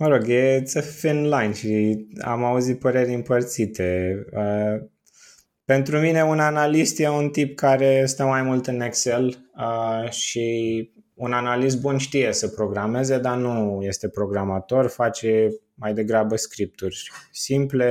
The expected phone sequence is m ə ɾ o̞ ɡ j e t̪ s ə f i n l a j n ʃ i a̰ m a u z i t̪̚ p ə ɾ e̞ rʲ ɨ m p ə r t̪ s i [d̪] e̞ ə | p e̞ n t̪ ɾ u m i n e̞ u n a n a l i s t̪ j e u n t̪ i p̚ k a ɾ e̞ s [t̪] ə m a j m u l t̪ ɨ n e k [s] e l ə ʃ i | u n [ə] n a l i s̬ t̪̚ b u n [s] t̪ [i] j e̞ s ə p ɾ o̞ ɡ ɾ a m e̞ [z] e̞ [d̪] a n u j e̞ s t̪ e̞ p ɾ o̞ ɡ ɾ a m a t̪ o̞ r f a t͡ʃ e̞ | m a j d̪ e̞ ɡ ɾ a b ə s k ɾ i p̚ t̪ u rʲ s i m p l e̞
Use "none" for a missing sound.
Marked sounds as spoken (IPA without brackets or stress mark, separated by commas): t̪, t̪, s, a, ʃ, i, z, d̪